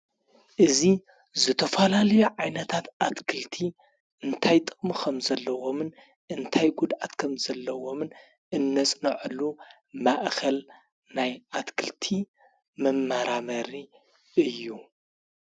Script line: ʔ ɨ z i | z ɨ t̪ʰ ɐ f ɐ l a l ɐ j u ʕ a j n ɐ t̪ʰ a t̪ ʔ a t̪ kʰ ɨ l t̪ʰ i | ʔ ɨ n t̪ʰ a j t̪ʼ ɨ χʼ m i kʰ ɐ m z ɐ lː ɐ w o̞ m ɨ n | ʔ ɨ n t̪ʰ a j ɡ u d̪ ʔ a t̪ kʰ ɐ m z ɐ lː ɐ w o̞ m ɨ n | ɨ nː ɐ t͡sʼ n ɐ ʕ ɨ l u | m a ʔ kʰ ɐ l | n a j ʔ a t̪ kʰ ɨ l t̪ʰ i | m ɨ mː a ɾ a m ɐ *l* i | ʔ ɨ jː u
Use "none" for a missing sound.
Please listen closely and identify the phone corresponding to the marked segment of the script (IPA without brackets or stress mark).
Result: ɾ